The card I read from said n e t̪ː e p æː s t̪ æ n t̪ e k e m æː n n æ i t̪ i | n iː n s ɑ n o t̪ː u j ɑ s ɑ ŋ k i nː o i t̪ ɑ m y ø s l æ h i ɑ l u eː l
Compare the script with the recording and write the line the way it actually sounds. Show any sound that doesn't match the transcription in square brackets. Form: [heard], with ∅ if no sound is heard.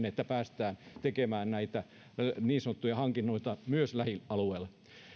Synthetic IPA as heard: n e t̪ː [æ] p æː s t̪ [æː] n t̪ e k e m æː n n æ i t̪ [æ] | n iː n s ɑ n o t̪ː u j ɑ [h] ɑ ŋ k i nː o i t̪ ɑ m y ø s l æ h i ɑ l u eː l